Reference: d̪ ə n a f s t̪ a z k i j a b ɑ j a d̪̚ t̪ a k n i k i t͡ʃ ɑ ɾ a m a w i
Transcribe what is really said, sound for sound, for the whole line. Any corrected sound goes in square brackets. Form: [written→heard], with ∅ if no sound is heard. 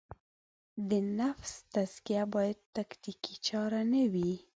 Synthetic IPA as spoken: d̪ ə n a f s t̪ a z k i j a b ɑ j a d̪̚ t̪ a k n i k i t͡ʃ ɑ ɾ a [m→n] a w i